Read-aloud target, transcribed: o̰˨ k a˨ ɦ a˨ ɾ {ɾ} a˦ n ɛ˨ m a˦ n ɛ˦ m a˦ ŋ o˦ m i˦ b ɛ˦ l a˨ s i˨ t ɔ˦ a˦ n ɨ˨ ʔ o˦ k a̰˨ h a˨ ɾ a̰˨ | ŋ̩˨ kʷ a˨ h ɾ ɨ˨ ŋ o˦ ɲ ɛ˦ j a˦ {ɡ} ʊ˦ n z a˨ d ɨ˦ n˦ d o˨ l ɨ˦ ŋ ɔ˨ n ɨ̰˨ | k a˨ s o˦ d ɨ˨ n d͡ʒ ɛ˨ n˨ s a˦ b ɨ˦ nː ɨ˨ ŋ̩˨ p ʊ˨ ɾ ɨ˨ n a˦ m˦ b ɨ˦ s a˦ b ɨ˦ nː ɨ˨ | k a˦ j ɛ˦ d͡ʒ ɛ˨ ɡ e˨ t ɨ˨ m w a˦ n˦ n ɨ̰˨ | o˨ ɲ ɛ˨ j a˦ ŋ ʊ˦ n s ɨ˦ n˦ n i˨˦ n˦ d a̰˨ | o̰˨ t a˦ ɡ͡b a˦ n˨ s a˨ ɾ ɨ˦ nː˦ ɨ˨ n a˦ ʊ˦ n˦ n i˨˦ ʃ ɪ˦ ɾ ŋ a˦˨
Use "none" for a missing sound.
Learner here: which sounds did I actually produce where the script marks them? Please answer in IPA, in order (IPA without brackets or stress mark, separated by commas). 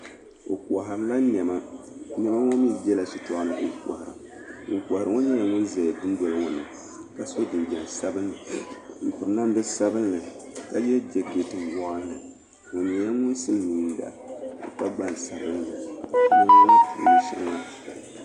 l, ŋ